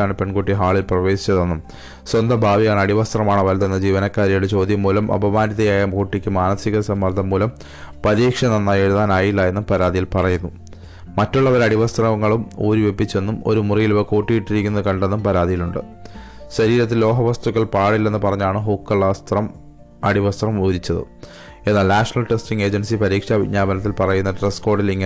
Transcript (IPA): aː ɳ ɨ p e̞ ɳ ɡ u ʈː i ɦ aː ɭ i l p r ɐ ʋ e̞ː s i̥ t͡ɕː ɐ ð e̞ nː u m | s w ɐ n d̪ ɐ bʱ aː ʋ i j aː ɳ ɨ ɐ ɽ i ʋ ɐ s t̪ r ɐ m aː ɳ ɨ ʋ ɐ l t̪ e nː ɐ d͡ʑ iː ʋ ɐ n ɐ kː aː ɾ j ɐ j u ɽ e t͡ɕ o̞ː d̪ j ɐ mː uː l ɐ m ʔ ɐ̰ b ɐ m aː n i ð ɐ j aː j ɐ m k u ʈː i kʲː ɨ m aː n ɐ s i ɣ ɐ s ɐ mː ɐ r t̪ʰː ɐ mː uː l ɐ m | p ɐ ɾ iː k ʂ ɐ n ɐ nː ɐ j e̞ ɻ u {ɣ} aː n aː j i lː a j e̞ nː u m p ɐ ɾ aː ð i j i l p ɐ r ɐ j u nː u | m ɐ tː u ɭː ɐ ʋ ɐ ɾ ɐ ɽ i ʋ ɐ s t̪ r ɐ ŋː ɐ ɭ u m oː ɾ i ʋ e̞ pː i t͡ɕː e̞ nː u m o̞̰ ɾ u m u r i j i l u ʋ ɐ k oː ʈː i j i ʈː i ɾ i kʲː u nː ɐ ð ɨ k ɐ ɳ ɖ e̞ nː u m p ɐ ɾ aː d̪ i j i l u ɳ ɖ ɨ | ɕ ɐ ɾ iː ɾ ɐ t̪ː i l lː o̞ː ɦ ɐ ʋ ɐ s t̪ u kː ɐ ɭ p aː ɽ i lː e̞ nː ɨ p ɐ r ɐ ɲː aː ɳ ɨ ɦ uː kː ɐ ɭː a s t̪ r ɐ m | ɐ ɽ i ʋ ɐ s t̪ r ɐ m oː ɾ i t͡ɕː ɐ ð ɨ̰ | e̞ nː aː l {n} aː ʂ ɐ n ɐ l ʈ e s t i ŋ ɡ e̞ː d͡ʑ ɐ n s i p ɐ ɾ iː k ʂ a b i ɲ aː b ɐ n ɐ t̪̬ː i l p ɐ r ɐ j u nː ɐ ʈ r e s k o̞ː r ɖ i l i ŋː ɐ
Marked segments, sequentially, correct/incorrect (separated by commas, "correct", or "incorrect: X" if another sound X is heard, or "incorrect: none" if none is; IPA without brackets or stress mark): incorrect: ð, correct